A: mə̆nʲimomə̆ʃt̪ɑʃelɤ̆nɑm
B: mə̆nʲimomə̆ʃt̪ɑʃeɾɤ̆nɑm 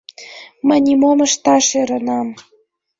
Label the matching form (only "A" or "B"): B